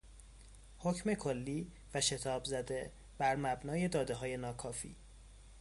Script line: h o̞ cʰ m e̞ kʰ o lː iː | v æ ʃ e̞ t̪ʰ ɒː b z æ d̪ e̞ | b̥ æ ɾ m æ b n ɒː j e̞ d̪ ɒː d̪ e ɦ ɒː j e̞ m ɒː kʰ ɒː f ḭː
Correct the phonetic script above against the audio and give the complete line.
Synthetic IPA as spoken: h o̞ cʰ m e̞ kʰ o lː iː | v æ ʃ e̞ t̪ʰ ɒː b z æ d̪ e̞ | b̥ æ ɾ m æ b n ɒː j e̞ d̪ ɒː d̪ e ɦ ɒː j e̞ n ɒː kʰ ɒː f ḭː